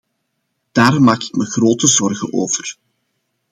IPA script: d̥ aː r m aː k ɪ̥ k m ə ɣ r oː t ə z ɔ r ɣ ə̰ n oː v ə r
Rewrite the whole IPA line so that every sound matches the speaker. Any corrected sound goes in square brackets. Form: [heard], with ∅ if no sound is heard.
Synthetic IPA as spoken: d̥ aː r m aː k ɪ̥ k m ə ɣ r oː t ə z ɔ r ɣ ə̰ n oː v ə r